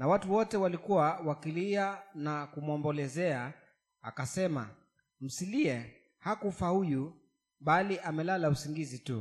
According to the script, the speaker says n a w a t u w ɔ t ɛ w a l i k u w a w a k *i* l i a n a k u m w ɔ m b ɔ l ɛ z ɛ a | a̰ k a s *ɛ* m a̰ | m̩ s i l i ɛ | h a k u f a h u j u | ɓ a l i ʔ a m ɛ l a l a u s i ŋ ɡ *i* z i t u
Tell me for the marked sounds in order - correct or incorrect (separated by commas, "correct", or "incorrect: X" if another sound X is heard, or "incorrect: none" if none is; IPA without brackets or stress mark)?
correct, correct, correct